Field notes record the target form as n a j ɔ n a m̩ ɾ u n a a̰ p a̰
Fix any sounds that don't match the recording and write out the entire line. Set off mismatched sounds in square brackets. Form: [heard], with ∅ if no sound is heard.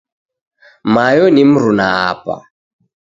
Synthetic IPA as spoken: [m] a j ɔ n [i] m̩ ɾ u n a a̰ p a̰